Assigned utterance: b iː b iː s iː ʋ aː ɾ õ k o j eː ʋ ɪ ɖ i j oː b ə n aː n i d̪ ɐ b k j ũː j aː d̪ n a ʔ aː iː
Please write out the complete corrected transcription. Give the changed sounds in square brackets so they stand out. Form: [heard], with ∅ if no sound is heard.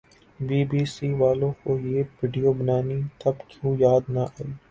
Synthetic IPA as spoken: b iː b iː s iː ʋ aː [l] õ k o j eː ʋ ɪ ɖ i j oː b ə n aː n i [t̪] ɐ b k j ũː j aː d̪ n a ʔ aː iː